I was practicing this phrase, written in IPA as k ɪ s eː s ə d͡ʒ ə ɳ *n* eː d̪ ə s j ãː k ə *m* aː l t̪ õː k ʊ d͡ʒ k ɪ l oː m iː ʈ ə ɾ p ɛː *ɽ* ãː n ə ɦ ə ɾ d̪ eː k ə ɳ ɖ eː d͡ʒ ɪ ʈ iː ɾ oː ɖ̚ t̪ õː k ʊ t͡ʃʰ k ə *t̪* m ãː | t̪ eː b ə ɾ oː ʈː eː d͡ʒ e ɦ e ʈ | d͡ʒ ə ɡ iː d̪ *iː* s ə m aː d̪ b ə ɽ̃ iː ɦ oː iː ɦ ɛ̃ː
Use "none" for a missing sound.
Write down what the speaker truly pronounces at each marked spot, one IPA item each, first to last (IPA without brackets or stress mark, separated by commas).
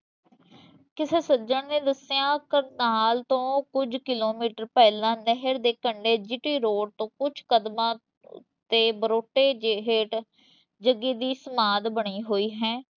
n, n, l, d̪, iː